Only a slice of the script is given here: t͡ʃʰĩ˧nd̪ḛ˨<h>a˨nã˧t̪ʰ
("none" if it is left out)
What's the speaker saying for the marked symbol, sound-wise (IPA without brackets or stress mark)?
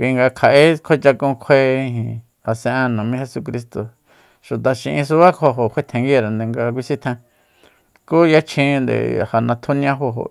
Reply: h